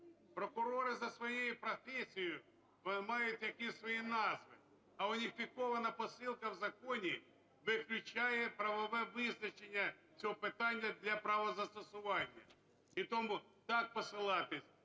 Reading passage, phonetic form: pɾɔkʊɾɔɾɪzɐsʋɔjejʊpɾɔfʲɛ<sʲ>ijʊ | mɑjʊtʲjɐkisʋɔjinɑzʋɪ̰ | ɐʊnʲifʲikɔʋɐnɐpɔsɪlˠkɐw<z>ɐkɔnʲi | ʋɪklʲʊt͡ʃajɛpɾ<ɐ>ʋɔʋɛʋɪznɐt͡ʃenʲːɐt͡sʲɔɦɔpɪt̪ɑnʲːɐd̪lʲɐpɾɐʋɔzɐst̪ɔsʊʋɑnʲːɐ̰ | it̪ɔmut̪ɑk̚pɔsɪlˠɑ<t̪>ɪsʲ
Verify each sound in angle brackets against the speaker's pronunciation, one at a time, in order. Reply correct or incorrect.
correct, correct, correct, correct

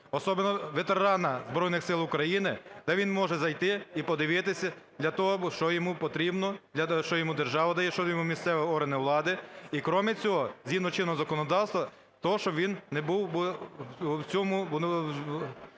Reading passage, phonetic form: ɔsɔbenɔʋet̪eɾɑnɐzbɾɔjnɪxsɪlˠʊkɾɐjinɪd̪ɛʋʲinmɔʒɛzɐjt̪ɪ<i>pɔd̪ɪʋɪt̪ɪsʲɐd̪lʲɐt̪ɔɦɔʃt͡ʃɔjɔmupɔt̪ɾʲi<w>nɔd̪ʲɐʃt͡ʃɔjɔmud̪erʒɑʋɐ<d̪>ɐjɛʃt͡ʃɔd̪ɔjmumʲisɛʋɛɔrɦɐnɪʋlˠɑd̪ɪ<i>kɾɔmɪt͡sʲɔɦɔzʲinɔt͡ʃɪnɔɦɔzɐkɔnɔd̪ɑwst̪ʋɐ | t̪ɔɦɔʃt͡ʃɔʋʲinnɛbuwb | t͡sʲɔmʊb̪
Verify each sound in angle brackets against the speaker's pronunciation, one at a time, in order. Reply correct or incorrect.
correct, incorrect, correct, correct

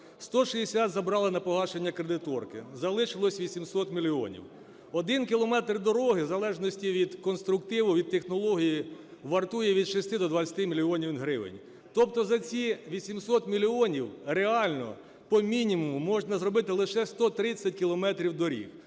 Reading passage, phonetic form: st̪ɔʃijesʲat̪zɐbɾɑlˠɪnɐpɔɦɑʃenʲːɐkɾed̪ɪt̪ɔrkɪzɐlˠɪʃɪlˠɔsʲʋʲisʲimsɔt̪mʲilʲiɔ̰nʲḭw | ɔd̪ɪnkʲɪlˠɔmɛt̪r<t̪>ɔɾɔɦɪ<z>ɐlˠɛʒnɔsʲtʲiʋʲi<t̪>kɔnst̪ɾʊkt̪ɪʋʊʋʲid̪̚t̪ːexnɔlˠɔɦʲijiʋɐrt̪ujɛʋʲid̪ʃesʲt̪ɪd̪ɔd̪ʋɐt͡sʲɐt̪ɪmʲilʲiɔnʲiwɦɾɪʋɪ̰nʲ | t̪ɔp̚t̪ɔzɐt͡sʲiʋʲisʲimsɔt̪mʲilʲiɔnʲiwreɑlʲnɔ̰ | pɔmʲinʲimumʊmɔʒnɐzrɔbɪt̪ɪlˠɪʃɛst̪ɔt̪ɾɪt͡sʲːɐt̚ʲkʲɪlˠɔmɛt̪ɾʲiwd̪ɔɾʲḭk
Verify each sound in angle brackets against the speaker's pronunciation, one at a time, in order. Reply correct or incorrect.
incorrect, correct, incorrect

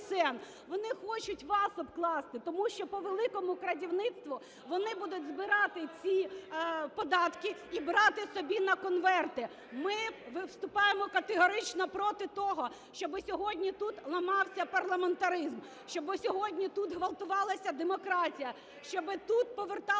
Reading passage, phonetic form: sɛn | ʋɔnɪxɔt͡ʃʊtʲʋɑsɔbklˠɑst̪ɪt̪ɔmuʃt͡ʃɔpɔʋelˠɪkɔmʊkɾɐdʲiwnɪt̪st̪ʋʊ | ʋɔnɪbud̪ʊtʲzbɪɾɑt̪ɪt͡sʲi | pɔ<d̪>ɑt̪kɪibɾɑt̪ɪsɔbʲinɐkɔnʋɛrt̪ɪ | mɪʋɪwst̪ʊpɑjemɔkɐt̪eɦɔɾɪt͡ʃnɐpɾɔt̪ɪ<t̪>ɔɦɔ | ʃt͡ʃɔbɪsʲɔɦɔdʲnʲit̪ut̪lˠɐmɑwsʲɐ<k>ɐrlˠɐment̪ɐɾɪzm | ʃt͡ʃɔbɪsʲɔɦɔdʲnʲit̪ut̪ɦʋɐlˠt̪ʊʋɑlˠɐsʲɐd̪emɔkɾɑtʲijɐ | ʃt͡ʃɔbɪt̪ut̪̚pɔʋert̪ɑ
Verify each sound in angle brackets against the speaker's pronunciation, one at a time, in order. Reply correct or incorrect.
correct, correct, incorrect

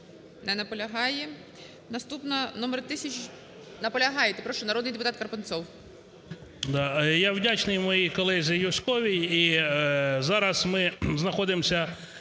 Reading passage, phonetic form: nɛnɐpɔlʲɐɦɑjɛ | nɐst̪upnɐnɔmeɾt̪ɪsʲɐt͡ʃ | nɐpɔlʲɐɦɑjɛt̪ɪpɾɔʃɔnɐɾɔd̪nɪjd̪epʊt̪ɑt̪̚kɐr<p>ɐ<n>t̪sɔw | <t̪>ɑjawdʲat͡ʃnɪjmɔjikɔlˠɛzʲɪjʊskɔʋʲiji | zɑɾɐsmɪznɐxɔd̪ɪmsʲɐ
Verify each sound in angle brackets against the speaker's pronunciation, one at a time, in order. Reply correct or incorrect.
correct, correct, incorrect

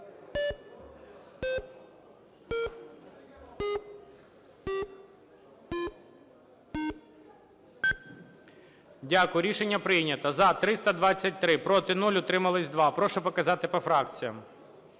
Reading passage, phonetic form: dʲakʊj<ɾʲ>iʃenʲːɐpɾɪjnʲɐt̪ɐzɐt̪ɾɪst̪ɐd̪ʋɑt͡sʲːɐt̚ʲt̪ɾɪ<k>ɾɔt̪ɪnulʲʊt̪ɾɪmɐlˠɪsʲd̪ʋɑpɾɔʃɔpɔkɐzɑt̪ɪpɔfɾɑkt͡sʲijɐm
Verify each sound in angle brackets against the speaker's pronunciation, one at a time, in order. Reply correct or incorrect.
correct, incorrect

